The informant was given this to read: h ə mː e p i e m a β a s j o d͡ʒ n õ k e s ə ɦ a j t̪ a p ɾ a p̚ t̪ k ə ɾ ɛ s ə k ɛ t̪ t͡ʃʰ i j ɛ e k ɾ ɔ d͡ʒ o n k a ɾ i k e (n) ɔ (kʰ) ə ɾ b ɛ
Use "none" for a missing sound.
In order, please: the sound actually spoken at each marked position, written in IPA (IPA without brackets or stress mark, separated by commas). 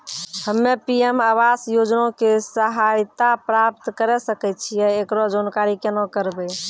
n, k